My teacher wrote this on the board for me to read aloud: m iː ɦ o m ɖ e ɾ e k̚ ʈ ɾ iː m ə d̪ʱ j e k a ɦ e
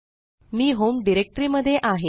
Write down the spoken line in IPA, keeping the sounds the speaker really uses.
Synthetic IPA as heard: m iː ɦ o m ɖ i ɾ e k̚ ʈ ɾ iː m ə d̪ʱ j e ʔ a ɦ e